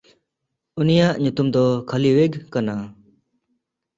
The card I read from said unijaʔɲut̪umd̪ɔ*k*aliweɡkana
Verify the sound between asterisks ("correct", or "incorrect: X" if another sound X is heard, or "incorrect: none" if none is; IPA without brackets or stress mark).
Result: incorrect: kʰ